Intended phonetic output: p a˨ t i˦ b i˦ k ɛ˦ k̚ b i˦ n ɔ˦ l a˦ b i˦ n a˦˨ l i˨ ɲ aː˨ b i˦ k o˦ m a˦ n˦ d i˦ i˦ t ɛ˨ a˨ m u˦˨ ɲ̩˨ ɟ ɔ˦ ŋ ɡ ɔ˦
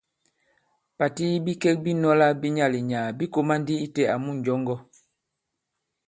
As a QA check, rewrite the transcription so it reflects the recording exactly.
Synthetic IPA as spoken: p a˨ t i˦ b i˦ k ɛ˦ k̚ b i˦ n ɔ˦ l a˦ b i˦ ɲ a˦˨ l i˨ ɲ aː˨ b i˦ k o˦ m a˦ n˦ d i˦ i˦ t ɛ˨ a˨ m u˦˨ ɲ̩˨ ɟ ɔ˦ ŋ ɡ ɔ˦